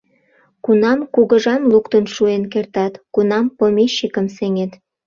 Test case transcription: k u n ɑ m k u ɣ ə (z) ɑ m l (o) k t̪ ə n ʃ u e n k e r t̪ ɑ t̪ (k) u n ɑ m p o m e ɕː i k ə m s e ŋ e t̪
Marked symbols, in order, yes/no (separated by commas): no, no, yes